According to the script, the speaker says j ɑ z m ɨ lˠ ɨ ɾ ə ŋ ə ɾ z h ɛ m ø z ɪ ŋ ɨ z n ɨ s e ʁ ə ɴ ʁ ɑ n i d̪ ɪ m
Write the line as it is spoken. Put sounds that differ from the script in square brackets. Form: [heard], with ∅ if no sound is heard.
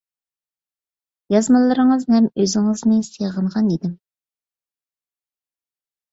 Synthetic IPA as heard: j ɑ z m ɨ lˠ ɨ ɾ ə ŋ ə [∅] z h ɛ m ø z ɪ ŋ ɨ z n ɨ s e ʁ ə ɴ ʁ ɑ n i d̪ ɪ m

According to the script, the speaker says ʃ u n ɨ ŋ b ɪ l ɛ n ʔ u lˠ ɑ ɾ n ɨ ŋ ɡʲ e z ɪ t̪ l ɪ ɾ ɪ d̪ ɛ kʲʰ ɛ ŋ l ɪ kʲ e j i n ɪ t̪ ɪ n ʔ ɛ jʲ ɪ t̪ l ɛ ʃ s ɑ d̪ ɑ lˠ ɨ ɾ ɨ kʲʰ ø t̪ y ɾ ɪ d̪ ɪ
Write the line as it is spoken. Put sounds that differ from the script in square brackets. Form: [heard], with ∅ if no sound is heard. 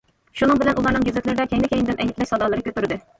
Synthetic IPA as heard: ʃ u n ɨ ŋ b ɪ l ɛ n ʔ u lˠ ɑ ɾ n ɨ ŋ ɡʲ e z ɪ t̪ l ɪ ɾ ɪ d̪ ɛ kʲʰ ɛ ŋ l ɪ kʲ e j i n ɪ [d̪] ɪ n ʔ ɛ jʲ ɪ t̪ l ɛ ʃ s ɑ d̪ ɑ lˠ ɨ ɾ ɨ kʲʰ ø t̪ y ɾ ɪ d̪ ɪ

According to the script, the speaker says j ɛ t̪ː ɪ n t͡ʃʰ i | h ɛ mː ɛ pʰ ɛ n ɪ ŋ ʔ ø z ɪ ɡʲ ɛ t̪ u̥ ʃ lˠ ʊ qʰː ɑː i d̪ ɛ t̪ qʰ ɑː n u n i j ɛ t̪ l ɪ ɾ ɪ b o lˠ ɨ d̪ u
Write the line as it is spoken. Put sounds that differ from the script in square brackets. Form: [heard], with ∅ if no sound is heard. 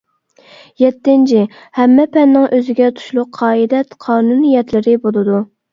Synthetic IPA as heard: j ɛ t̪ː ɪ n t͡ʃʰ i | h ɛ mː ɛ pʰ ɛ [nː] ɪ ŋ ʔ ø z ɪ ɡʲ ɛ [t̪ʰ] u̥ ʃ lˠ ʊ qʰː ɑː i d̪ ɛ t̪ qʰ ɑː n u n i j ɛ t̪ l ɪ ɾ ɪ b o lˠ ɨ d̪ u

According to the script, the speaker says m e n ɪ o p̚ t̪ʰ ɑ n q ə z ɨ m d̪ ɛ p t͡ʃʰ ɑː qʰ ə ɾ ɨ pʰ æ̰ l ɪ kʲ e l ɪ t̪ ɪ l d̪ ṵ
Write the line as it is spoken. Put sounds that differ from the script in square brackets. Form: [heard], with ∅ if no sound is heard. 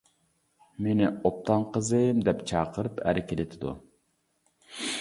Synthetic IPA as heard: m e n ɪ o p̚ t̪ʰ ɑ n q ə z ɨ m d̪ ɛ p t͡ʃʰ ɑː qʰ ə ɾ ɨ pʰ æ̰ [ɾ] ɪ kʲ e l ɪ [t̪ʰ] ɪ [∅] d̪ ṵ

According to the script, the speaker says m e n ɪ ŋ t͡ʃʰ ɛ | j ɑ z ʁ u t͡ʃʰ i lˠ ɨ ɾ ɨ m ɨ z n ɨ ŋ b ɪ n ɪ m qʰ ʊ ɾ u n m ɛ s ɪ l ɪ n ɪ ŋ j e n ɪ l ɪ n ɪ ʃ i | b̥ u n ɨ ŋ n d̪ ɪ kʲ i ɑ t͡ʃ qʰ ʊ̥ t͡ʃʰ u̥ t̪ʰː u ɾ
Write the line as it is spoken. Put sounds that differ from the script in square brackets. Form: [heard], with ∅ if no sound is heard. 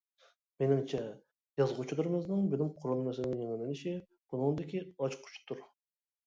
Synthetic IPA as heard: m e n ɪ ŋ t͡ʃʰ ɛ | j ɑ z ʁ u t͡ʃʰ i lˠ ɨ ɾ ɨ m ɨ z n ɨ ŋ b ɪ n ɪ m qʰ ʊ ɾ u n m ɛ s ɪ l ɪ n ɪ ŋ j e [ŋ] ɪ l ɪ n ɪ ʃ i | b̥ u n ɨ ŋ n d̪ ɪ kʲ i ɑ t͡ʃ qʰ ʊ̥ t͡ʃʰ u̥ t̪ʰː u ɾ

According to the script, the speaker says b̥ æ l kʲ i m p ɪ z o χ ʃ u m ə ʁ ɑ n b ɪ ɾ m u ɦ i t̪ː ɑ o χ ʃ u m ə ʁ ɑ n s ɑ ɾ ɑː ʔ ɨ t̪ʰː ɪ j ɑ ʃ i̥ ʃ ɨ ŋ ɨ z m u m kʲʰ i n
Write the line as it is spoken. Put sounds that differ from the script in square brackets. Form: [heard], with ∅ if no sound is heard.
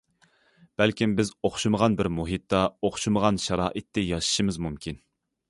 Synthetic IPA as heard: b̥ æ l kʲ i m [b] ɪ z o χ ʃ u m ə ʁ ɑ n b ɪ ɾ m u ɦ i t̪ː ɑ o χ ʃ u m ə ʁ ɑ n [ʃ] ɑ ɾ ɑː ʔ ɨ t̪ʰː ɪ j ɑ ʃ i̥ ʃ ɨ [m] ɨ z m u m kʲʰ i n

